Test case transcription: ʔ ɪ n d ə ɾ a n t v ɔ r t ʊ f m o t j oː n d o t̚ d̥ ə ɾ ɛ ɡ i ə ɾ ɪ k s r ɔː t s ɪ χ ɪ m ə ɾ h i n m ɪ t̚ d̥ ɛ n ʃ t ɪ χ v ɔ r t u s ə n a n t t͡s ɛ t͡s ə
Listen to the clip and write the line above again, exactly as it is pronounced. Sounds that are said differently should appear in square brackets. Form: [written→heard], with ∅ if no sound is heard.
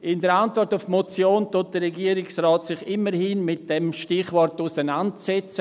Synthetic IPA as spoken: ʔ ɪ n d ə ɾ a n t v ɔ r t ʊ f m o [t→t͡s] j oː n [d→t] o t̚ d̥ ə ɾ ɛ ɡ i ə ɾ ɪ k s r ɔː t s ɪ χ ɪ m ə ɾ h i n m ɪ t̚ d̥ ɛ [n→m] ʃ t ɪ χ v ɔ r t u s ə n a n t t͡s ɛ t͡s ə